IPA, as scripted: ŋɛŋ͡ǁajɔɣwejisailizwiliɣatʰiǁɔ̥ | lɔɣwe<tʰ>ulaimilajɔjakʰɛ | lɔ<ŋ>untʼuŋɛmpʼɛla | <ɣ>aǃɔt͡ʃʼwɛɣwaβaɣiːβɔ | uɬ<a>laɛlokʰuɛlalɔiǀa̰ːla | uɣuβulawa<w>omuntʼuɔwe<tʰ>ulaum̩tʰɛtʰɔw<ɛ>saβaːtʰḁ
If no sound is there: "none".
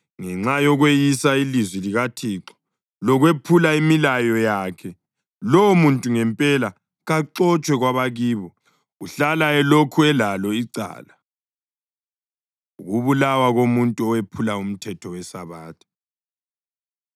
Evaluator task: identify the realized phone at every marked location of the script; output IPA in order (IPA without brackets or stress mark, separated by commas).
pʰ, m, ɣ, a, ɣ, pʰ, ɛ